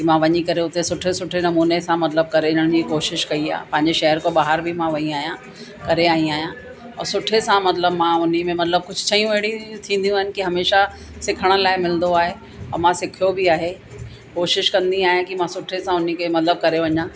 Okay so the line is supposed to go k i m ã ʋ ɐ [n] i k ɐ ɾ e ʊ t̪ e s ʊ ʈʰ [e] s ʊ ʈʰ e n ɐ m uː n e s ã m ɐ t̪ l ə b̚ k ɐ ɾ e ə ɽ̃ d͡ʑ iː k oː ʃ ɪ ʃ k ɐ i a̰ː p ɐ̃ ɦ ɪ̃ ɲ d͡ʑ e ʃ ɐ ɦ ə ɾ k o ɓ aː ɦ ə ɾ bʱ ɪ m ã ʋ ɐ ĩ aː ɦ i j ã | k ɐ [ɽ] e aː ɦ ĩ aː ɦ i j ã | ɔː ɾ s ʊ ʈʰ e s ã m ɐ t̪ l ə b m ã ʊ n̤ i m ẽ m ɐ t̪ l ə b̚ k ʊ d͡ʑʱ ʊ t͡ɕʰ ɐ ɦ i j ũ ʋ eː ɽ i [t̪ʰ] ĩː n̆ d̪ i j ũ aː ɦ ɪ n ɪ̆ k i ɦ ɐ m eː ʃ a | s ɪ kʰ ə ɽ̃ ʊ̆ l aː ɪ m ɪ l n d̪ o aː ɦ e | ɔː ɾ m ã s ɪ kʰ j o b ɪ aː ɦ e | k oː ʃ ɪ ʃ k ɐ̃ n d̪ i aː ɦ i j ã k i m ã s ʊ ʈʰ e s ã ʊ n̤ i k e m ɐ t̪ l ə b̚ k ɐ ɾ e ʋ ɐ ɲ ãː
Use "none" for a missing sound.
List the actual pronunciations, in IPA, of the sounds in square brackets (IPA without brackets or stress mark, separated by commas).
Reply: ɲ, e, ɾ, t̪ʰ